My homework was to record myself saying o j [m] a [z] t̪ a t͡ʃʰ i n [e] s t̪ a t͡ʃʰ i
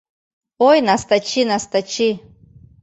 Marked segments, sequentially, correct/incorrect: incorrect, incorrect, incorrect

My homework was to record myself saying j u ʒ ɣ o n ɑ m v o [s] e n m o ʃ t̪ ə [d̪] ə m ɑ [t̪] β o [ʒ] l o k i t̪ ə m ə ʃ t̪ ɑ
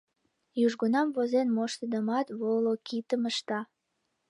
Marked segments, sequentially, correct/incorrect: incorrect, correct, correct, incorrect

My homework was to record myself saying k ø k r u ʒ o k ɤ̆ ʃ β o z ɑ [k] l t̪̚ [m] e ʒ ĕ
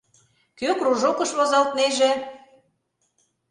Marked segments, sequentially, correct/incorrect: incorrect, incorrect

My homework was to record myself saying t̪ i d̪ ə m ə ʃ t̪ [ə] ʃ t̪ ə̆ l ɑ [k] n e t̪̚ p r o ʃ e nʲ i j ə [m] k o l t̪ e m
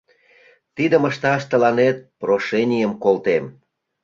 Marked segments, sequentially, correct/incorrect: incorrect, incorrect, correct

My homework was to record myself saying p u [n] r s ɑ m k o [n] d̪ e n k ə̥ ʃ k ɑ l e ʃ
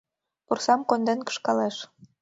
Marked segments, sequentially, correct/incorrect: incorrect, correct

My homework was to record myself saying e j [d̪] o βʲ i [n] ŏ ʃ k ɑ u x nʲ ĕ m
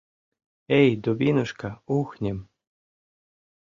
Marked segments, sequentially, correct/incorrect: correct, correct

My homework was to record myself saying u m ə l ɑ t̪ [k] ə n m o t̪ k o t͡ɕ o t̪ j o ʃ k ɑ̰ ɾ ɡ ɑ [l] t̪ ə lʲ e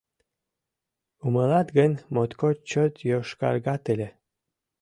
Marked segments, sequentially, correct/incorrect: incorrect, incorrect

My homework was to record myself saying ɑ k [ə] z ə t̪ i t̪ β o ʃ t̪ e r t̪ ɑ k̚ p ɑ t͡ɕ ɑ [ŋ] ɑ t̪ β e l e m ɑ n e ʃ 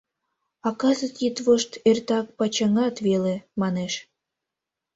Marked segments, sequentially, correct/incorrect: incorrect, correct

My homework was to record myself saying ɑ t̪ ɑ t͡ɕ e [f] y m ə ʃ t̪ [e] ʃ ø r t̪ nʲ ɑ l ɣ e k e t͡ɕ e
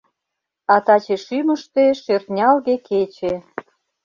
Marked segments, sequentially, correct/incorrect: incorrect, correct

